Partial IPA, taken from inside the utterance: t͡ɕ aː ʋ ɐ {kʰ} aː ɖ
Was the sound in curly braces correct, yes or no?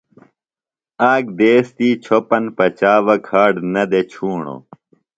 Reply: yes